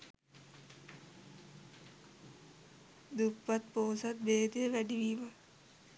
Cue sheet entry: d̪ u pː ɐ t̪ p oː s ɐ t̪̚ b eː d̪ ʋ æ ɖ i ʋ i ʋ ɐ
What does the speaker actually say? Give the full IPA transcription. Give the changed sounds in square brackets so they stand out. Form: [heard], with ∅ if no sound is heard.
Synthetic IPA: d̪ u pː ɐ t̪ p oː s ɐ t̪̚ b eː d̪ ʋ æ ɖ i ʋ i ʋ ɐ